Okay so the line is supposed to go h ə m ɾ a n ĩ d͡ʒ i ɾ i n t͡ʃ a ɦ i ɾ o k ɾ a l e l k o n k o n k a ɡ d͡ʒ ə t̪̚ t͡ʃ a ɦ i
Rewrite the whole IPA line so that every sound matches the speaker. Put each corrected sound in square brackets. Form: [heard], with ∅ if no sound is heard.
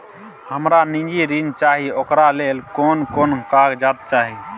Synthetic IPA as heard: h ə m ɾ a n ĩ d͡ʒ i ɾ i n t͡ʃ a ɦ i [∅] o k ɾ a l e l k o n k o n k a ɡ d͡ʒ [a] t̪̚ t͡ʃ a ɦ i